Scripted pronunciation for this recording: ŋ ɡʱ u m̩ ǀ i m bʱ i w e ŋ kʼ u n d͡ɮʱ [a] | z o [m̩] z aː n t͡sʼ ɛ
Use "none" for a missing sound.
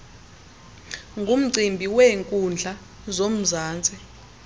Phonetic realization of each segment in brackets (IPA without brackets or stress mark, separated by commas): a, m̩